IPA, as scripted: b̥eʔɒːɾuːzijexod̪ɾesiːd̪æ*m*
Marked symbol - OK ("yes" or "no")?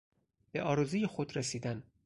no